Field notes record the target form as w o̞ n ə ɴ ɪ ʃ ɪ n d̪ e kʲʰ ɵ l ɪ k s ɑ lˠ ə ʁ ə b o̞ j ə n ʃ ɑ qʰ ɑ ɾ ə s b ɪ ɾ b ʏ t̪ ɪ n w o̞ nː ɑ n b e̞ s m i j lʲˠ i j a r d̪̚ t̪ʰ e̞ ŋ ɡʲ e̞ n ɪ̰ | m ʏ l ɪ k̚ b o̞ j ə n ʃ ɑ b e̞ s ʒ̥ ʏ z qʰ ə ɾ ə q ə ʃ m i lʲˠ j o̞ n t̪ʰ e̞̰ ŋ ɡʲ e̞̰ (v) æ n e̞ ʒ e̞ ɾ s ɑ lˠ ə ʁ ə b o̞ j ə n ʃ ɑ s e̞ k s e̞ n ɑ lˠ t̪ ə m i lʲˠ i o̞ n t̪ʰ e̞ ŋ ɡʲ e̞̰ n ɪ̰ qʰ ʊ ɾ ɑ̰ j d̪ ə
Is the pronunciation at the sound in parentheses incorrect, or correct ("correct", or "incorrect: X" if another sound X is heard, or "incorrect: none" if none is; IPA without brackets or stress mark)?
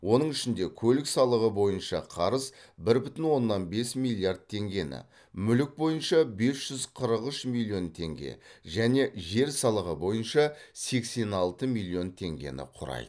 incorrect: ʒ